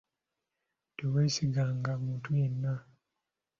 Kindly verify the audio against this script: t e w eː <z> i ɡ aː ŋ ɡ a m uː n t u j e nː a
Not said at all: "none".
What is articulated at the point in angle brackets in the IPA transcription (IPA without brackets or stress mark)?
s